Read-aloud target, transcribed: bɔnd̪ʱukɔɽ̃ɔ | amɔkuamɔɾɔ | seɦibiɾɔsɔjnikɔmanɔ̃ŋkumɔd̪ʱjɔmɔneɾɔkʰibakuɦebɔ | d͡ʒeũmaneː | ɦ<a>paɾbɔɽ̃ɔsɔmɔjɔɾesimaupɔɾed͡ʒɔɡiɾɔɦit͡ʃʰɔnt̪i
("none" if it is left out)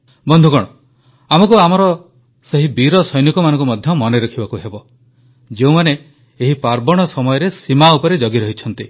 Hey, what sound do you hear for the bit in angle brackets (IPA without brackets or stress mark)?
i